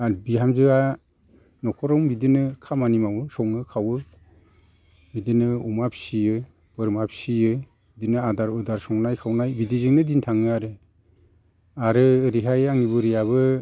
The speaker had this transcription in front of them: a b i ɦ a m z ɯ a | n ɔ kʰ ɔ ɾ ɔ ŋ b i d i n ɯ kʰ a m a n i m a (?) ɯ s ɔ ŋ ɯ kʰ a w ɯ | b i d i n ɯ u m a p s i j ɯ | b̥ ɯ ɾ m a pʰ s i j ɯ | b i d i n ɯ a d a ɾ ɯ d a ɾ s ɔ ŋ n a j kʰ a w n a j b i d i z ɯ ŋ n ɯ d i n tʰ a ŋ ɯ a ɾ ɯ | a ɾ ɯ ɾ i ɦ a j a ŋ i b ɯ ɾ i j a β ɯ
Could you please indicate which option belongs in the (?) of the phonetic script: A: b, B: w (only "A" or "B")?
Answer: B